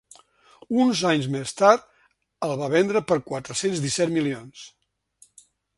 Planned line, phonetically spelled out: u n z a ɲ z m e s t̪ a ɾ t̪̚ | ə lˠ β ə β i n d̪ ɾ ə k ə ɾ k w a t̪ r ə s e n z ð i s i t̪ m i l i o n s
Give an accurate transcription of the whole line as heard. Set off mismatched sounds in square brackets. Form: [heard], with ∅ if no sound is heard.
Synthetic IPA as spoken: u n z a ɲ z m e s t̪ a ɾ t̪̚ | ə lˠ β [a] β [ɛ] n d̪ ɾ ə [p] ə ɾ k w a t̪ [ɾ] ə s e n z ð i s [ɛ] t̪ m i l i o n s